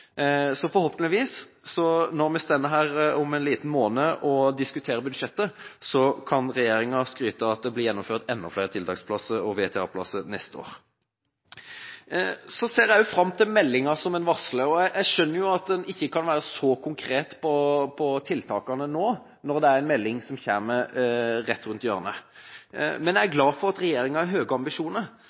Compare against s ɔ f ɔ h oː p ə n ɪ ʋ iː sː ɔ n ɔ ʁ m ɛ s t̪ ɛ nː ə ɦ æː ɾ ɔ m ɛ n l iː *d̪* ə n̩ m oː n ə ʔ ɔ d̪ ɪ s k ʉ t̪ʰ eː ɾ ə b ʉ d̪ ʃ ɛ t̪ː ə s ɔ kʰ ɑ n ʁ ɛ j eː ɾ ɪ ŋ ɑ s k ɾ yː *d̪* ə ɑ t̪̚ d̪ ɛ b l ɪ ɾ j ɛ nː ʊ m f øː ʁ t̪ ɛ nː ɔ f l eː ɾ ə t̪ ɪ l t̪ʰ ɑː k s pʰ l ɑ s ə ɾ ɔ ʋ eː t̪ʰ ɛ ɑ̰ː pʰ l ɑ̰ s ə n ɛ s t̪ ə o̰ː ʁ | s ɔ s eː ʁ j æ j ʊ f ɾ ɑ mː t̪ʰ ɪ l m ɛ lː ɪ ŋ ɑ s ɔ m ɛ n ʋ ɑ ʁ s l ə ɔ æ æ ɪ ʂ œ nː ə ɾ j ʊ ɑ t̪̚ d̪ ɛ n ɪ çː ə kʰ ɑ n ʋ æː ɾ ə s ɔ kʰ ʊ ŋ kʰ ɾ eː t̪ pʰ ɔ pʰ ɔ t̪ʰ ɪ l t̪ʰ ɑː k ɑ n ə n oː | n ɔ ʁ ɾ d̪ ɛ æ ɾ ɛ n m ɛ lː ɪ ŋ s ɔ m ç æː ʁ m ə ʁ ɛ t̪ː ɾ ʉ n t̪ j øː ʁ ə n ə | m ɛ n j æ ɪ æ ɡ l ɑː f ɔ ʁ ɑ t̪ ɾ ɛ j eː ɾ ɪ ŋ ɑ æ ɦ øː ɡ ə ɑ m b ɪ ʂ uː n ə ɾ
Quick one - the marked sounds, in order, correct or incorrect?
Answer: incorrect, incorrect

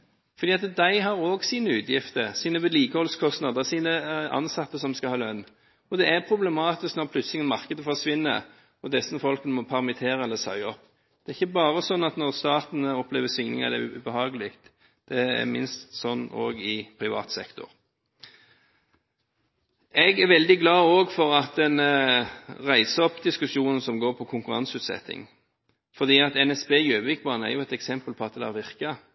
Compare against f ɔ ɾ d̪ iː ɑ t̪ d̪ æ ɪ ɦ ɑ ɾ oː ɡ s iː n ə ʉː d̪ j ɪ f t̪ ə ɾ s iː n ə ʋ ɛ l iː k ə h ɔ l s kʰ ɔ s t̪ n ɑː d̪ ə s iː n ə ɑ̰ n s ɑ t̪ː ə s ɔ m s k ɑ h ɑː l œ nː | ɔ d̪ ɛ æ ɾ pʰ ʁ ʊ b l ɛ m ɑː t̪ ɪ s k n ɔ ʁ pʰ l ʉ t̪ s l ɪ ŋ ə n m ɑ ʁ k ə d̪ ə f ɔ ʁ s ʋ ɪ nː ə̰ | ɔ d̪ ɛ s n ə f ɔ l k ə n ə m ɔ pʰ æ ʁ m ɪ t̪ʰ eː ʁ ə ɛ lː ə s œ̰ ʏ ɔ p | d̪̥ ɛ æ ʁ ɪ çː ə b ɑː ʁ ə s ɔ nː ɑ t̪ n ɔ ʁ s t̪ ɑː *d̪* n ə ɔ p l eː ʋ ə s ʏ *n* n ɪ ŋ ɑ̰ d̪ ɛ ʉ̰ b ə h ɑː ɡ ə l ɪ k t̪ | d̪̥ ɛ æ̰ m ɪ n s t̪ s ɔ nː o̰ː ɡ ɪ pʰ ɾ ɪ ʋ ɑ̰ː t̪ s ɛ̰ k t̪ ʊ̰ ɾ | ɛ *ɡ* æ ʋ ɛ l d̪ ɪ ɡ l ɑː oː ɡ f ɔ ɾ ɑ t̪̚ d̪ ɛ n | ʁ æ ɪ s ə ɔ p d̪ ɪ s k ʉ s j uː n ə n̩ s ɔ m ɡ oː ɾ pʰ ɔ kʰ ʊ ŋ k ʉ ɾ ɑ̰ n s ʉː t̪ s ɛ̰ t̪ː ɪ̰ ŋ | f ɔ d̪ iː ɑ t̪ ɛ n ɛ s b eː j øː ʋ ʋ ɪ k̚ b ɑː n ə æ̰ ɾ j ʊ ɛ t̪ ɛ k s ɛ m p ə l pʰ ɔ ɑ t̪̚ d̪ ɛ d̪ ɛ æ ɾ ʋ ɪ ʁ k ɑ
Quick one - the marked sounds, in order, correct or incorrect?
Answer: incorrect, incorrect, correct

